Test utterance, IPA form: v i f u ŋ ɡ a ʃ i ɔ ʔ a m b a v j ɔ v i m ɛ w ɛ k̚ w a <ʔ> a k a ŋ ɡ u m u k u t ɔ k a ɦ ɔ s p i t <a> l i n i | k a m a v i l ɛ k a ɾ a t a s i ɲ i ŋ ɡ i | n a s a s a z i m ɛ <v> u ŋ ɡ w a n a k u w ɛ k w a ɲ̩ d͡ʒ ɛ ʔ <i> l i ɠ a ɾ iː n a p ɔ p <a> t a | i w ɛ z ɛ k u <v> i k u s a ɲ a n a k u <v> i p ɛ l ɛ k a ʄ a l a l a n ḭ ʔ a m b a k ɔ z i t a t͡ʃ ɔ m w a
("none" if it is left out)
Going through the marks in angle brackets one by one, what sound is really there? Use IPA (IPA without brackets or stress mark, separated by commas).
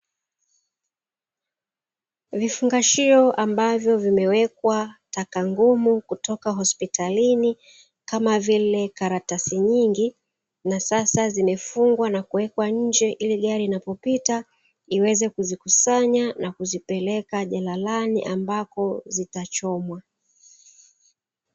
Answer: t, a, f, i, i, z, z